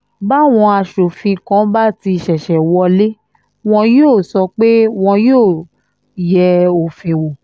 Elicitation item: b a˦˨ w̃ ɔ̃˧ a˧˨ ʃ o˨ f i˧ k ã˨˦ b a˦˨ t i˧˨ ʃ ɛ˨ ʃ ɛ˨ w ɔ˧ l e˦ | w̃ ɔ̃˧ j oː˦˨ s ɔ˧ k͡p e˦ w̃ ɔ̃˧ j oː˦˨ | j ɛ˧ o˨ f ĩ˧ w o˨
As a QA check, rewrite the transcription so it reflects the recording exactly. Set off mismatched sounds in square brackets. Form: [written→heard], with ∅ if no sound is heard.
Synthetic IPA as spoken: b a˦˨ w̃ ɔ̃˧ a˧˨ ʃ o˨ f [i˧→ĩ˧] k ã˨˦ b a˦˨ t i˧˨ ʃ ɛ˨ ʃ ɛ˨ w ɔ˧ l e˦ | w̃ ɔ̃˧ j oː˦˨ s ɔ˧ k͡p e˦ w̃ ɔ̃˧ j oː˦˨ | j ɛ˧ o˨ f ĩ˧ w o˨